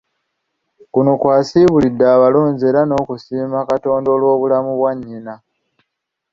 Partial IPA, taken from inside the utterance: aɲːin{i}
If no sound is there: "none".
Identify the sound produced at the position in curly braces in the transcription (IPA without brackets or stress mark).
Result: a